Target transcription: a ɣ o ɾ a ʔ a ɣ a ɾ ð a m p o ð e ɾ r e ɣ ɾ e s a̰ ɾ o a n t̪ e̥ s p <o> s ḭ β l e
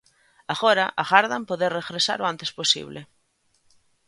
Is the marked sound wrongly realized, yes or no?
no